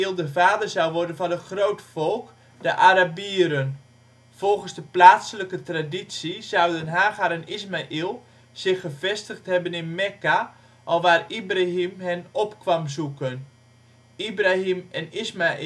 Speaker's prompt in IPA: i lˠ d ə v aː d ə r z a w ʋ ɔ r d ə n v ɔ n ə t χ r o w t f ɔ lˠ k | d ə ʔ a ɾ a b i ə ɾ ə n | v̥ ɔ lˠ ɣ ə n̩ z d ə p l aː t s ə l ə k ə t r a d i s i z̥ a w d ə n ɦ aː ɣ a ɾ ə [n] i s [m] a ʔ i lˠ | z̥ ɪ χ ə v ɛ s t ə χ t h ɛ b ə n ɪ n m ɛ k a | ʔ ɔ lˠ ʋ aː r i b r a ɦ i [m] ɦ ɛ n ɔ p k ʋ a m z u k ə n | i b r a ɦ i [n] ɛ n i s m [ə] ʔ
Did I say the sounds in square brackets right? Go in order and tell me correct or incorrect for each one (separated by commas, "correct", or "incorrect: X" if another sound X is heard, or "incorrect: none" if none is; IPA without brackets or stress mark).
correct, correct, correct, incorrect: m, incorrect: a